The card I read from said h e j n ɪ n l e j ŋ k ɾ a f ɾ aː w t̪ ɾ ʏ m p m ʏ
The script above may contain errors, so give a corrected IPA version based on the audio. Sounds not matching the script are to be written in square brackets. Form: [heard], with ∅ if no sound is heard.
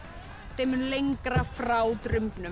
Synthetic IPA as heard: [θ] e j [m] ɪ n l e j ŋ k ɾ a f ɾ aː w t̪ ɾ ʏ m p [n] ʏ